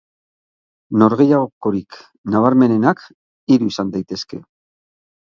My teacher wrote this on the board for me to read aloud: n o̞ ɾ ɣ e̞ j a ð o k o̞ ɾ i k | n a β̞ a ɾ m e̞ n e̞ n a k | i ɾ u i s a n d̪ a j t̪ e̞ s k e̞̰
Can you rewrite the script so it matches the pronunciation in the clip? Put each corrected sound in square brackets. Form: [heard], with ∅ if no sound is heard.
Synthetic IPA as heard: n o̞ ɾ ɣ e̞ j a [ɣ] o k o̞ ɾ i k | n a β̞ a ɾ m e̞ n e̞ n a k | i ɾ u i s a n d̪ a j t̪ e̞ s k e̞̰